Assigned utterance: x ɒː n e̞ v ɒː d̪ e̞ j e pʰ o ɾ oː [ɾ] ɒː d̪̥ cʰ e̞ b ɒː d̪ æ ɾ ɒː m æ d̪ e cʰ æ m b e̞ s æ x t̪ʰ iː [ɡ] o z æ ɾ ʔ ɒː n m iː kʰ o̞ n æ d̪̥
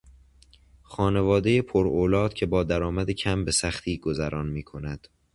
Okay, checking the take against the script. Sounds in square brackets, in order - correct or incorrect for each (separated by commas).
incorrect, correct